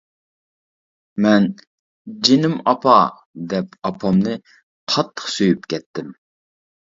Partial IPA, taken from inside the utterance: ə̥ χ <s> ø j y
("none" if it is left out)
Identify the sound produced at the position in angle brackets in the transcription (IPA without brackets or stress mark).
s